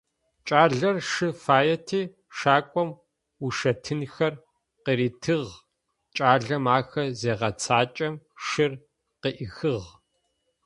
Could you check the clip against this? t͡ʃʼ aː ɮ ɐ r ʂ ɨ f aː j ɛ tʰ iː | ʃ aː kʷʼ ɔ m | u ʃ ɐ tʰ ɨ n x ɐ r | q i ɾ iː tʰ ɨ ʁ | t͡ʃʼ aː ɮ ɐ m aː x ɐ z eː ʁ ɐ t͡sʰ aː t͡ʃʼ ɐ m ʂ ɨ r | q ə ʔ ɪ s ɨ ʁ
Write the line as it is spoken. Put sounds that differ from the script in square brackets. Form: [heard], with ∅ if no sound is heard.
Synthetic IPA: t͡ʃʼ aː ɮ ɐ r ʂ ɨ f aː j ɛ tʰ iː | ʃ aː kʷʼ ɔ m | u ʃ ɐ tʰ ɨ n x ɐ r | q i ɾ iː tʰ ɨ ʁ | t͡ʃʼ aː ɮ ɐ m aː x ɐ z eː ʁ ɐ t͡sʰ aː t͡ʃʼ ɐ m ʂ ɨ r | q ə ʔ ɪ [x] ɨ ʁ